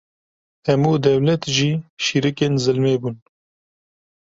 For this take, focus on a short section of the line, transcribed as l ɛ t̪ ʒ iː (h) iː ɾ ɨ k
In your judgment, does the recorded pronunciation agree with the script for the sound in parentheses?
no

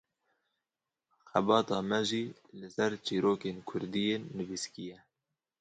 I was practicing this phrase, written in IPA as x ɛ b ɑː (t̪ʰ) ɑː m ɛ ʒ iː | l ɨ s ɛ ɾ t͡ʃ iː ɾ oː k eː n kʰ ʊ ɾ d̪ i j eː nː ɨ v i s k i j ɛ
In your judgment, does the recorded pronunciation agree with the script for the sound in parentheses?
no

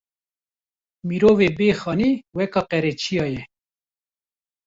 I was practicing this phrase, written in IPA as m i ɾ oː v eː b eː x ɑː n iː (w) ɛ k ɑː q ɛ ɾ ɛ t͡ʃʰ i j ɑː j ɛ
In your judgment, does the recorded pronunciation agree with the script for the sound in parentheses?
yes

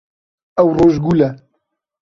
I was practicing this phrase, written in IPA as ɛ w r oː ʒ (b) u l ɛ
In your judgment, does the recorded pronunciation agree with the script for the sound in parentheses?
no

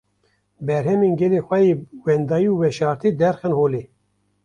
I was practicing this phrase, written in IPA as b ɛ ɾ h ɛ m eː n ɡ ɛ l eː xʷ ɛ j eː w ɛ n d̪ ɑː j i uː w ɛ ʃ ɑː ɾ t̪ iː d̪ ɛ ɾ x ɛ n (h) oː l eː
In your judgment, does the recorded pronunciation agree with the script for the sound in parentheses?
yes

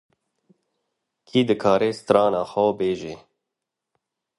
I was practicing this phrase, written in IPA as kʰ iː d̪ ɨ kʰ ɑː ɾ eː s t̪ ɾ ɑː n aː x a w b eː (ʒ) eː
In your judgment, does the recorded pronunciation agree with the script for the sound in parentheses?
yes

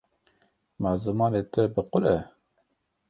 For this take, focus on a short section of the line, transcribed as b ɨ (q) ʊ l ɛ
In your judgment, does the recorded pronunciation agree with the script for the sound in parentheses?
yes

